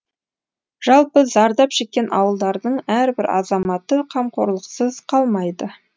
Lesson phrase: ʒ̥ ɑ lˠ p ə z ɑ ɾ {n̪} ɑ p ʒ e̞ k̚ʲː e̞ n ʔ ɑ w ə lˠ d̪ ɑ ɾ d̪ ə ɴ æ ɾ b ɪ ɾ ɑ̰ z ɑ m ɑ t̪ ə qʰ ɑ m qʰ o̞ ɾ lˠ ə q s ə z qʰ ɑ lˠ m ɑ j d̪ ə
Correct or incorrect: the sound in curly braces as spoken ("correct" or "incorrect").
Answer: incorrect